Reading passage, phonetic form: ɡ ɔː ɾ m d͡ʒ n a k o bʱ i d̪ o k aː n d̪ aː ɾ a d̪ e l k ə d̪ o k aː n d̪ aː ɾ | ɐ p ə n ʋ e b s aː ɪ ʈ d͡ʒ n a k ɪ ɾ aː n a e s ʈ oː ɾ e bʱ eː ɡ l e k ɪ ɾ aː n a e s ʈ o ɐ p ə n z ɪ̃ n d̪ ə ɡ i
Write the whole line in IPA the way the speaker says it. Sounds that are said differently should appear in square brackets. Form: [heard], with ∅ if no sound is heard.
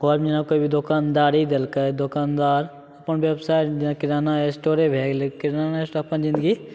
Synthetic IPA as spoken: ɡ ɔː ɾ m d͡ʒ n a k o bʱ i d̪ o k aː n d̪ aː ɾ [i] d̪ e l k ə d̪ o k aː n d̪ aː ɾ | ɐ p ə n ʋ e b s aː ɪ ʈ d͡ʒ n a k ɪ ɾ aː n a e s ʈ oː ɾ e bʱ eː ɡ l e k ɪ ɾ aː n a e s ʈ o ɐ p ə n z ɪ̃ n d̪ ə ɡ i

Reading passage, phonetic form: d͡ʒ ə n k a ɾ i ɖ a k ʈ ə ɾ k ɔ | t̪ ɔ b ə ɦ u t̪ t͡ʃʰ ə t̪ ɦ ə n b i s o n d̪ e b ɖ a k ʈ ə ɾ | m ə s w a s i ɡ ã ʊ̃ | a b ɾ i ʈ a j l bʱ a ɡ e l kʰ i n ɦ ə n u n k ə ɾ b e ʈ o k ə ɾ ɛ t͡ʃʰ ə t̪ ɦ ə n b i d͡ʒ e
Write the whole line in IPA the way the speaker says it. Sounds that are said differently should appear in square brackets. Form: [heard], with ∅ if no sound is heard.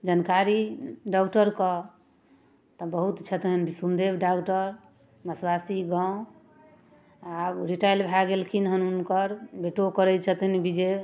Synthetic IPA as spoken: d͡ʒ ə n k a ɾ i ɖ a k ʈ ə ɾ k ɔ | t̪ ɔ b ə ɦ u t̪ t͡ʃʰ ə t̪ ɦ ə n b i s [u] n d̪ e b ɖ a k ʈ ə ɾ | m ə s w a s i ɡ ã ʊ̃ | a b ɾ i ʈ a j l bʱ a ɡ e l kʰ i n ɦ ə n u n k ə ɾ b e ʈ o k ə ɾ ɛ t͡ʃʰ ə t̪ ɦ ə n b i d͡ʒ e

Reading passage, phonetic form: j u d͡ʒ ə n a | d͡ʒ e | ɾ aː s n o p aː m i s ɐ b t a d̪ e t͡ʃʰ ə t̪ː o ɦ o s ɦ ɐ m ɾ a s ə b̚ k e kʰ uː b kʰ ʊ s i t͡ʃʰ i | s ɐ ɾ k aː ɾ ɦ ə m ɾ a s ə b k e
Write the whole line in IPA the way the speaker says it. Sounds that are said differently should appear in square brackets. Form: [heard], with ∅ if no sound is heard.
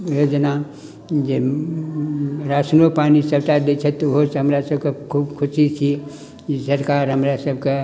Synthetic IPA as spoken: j [o] d͡ʒ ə n a | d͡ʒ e | ɾ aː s n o p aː [n] i s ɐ b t a d̪ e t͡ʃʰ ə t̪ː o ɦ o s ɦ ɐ m ɾ a s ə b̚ k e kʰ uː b kʰ ʊ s i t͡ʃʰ i | s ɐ ɾ k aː ɾ ɦ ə m ɾ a s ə b k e

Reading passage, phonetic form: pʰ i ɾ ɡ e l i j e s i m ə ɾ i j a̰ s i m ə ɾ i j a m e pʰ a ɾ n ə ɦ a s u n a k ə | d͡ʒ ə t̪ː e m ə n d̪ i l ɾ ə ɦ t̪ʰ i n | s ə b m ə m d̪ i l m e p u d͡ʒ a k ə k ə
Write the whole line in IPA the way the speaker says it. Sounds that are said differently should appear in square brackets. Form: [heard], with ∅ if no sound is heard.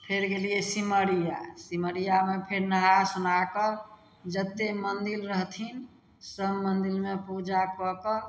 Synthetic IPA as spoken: pʰ [e] ɾ ɡ e l i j e s i m ə ɾ i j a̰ s i m ə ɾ i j a m e pʰ [e] ɾ n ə ɦ a s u n a k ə | d͡ʒ ə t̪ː e m ə n d̪ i l ɾ ə ɦ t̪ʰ i n | s ə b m ə [n] d̪ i l m e p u d͡ʒ a k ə k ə

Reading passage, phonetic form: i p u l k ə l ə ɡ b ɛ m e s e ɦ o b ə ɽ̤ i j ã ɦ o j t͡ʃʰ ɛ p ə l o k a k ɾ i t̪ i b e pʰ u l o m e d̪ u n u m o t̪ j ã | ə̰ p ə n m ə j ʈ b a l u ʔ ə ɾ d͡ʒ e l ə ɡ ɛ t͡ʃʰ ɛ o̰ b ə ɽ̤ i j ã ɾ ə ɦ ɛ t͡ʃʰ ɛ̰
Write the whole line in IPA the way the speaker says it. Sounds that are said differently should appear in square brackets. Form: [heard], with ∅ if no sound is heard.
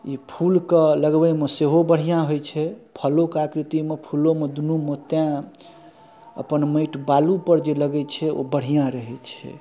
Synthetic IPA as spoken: i [pʰ] u l k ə l ə ɡ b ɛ m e s e ɦ o b ə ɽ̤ i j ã ɦ o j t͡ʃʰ ɛ [pʰ] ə l o k a k ɾ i t̪ i [m] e pʰ u l o m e d̪ u n u m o t̪ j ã | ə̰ p ə n m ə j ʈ b a l u [p] ə ɾ d͡ʒ e l ə ɡ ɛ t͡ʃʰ ɛ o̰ b ə ɽ̤ i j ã ɾ ə ɦ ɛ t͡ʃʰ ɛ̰

